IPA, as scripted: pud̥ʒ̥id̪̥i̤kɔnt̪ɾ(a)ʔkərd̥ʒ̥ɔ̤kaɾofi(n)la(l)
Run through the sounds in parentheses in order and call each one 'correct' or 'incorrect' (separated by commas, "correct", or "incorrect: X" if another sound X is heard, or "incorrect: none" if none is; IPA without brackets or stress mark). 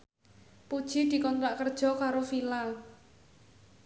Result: correct, incorrect: none, correct